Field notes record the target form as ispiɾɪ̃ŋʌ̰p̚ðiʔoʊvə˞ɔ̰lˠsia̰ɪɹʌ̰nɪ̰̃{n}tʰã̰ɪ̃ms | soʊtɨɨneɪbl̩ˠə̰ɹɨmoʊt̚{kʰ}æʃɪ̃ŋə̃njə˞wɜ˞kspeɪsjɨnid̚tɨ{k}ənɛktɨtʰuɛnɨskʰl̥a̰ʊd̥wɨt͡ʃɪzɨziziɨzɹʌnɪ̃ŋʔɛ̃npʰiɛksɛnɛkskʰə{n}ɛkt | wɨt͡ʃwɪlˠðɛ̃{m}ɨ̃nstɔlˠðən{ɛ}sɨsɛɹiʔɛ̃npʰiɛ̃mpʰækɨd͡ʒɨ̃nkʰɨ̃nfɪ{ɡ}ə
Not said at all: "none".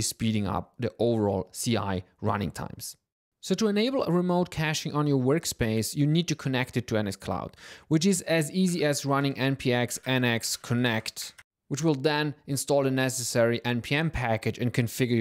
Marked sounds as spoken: ŋ, kʰ, kʰ, n, n, ɛ, ɡ

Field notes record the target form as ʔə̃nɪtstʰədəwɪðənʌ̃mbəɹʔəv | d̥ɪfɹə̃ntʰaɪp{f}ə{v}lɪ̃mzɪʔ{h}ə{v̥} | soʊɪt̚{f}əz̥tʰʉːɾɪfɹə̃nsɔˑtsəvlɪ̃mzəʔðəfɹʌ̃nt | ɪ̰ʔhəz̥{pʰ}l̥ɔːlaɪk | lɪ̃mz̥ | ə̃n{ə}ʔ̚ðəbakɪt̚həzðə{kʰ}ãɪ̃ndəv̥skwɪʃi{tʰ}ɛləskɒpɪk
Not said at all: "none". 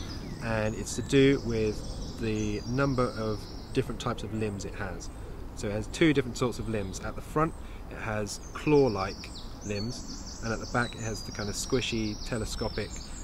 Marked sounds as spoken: s, v, h, z̥, h, kʰ, ə, kʰ, tʰ

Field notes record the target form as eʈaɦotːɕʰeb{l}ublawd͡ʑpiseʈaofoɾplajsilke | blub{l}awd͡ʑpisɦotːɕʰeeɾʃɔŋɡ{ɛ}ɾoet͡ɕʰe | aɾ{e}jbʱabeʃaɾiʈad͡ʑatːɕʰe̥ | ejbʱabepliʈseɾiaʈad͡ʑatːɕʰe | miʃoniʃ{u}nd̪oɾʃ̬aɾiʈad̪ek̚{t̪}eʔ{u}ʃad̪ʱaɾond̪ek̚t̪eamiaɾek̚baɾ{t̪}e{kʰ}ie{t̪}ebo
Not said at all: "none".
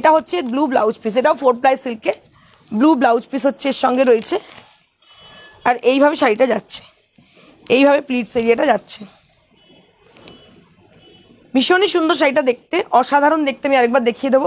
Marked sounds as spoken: l, l, e, e, u, t̪, ɔ, d̪, kʰ, d̪

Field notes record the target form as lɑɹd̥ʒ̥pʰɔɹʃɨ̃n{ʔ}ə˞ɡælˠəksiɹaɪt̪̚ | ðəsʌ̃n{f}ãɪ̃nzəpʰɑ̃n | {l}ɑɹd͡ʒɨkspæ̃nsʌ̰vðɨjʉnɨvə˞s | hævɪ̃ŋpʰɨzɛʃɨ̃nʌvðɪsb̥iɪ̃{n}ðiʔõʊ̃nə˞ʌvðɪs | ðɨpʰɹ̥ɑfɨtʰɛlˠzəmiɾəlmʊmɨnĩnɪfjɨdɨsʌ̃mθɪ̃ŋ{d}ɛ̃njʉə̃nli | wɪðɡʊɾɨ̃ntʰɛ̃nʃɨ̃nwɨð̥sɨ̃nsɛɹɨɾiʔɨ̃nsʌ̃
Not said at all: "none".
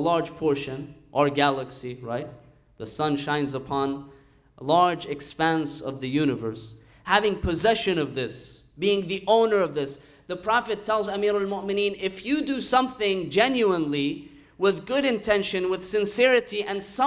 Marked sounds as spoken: ʔ, ʃ, l, ŋ, d͡ʒ

